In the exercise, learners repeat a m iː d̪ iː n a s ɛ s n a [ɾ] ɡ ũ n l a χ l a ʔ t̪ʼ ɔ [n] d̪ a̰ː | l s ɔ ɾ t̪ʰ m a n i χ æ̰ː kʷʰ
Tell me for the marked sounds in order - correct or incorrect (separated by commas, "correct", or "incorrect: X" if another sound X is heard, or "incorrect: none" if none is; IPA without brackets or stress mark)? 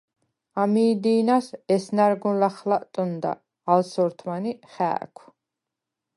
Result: correct, correct